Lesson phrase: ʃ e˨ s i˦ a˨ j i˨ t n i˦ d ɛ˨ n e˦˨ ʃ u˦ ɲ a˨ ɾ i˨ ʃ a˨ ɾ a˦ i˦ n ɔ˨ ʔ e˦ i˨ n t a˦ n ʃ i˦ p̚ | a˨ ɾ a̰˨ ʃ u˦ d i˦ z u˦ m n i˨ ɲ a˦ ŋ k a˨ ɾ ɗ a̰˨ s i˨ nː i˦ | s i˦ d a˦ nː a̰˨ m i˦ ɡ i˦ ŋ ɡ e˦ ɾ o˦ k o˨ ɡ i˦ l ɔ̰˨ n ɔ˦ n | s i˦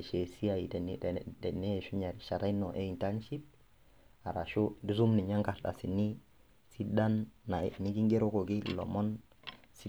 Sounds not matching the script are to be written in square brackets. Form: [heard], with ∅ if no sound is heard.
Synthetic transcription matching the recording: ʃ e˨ s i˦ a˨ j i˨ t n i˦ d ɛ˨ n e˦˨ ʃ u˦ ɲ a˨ ɾ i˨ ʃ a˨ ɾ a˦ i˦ n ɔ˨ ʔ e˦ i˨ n t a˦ n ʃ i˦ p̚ | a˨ ɾ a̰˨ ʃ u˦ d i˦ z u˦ m n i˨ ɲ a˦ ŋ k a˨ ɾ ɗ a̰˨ s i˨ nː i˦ | s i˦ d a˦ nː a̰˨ [n] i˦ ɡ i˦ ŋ ɡ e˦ ɾ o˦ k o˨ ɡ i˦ l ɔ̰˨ [m] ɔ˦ n | s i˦

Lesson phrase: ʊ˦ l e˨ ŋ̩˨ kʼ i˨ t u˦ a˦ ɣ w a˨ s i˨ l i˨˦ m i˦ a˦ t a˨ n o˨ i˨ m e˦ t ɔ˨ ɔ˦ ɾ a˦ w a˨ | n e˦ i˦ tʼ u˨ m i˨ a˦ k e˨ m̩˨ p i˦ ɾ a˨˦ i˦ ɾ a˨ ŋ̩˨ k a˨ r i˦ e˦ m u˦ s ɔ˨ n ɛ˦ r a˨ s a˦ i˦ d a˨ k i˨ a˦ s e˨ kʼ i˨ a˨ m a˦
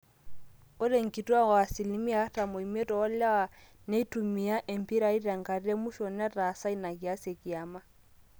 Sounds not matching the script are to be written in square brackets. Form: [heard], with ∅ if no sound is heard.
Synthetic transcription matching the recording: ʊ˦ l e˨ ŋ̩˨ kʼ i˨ t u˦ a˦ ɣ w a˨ s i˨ l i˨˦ m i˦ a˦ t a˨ [m] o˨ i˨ m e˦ t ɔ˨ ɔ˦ [l] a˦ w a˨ | n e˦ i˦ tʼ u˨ m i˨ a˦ [ʔ] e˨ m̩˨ p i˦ ɾ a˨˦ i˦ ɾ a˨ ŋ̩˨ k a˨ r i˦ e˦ m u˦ [ʃ] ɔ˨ n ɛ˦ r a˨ s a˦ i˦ [n] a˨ k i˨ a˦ s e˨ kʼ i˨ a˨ m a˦

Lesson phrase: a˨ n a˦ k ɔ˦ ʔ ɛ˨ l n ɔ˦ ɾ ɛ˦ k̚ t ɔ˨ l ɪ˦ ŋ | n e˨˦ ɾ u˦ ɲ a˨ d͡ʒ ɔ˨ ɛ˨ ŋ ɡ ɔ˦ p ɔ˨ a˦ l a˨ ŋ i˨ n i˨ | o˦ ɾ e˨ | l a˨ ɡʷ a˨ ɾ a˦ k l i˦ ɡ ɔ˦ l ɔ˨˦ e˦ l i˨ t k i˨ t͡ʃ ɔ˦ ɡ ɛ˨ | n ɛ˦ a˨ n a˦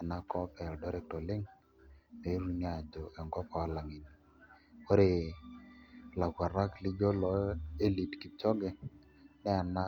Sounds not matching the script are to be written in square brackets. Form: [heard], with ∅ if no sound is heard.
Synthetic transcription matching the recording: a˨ n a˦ k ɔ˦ [p] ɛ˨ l [d] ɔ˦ ɾ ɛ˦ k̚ t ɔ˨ l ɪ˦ ŋ | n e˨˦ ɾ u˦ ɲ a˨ d͡ʒ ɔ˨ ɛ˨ ŋ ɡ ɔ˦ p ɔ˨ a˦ l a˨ ŋ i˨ n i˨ | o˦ ɾ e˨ | l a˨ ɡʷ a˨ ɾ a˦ k l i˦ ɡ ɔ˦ l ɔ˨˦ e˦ l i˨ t k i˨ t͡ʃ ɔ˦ ɡ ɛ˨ | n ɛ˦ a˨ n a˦

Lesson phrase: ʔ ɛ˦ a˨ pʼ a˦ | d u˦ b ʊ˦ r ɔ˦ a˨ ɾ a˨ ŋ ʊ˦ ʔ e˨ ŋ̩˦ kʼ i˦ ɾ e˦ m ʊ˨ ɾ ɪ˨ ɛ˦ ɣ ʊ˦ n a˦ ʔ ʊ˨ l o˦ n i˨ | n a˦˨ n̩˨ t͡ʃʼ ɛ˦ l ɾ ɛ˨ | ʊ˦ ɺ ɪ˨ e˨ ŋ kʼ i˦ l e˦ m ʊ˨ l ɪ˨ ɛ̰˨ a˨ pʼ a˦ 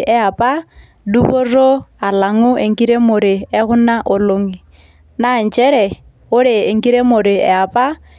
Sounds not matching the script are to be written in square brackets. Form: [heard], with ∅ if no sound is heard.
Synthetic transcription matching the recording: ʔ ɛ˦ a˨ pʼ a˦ | d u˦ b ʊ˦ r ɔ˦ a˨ [l] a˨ ŋ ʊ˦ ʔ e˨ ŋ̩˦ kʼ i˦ ɾ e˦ m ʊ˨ ɾ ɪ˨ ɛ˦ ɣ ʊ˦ n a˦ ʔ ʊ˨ l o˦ [ŋ] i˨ | n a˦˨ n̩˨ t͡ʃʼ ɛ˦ [∅] ɾ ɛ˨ | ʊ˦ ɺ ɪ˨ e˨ ŋ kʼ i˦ [ɾ] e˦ m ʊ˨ [ɾ] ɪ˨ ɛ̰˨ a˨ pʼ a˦

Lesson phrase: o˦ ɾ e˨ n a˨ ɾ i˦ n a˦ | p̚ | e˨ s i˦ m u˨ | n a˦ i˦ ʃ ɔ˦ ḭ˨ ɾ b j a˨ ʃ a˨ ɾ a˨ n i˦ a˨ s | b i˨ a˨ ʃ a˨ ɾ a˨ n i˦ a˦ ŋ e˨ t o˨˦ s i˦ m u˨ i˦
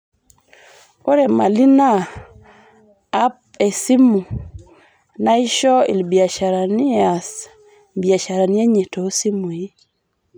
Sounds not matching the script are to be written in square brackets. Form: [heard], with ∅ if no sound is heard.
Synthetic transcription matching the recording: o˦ ɾ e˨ [m] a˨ [l] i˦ n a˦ | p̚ | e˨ s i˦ m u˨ | n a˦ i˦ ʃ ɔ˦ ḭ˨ [l] b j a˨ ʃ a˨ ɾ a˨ n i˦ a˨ s | b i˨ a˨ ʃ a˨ ɾ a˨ n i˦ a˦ [ɲ] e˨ t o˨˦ s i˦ m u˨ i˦

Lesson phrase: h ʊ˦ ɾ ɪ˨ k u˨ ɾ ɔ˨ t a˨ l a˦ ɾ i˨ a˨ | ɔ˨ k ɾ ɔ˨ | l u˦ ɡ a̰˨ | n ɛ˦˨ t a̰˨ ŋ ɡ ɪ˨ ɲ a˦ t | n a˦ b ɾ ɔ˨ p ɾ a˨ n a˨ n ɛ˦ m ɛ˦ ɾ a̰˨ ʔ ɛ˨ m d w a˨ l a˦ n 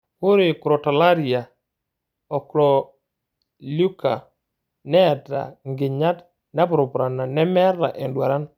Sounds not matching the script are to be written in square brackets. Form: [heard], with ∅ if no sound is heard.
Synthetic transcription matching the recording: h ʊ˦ ɾ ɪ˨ k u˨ ɾ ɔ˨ t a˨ l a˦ ɾ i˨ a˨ | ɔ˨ k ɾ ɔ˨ | l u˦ [k] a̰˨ | n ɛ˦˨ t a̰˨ ŋ ɡ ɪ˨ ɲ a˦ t | n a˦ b ɾ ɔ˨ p ɾ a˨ n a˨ n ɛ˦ m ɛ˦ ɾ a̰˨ ʔ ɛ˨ [n] d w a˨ [ɾ] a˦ n

